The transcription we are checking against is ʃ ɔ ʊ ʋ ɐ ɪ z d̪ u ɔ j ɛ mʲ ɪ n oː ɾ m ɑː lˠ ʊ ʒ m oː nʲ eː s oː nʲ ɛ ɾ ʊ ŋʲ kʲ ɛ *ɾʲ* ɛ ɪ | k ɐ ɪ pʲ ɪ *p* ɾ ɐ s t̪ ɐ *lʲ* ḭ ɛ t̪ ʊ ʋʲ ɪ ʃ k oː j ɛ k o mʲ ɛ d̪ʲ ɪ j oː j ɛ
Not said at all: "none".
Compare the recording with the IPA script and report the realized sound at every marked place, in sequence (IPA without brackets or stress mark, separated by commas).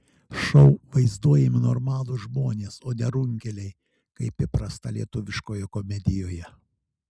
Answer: lʲ, p, lʲ